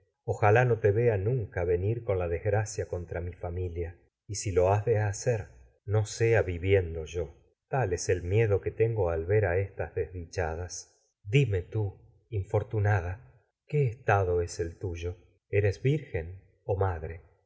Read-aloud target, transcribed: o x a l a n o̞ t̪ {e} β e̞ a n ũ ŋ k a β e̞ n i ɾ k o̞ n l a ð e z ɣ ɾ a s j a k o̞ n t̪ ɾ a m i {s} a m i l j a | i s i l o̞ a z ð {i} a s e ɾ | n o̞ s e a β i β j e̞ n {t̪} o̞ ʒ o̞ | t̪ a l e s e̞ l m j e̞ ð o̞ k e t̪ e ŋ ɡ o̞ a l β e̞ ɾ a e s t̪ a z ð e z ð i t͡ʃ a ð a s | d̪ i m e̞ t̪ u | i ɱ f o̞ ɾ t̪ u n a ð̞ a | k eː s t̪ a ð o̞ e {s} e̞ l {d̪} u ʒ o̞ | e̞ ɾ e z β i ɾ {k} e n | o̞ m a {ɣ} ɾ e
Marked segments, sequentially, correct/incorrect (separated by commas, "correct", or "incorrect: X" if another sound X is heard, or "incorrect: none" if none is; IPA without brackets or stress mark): correct, incorrect: f, incorrect: e, incorrect: d̪, correct, incorrect: t̪, incorrect: x, incorrect: ð